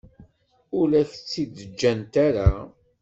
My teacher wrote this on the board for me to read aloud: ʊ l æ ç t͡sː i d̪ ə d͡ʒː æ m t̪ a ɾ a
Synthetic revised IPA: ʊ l æ ç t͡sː i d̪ ə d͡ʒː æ n t̪ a ɾ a